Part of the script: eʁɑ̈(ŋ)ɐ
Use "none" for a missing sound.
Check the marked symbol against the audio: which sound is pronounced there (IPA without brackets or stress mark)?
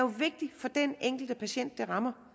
m